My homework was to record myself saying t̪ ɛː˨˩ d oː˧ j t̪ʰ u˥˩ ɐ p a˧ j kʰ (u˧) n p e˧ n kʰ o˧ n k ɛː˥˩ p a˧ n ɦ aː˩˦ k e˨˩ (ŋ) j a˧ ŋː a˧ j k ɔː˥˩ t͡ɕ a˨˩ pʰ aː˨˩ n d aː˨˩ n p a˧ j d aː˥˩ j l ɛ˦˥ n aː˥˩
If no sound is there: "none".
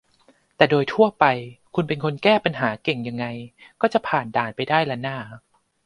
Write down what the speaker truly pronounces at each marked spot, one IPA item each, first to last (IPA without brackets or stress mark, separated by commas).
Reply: u˧, ŋ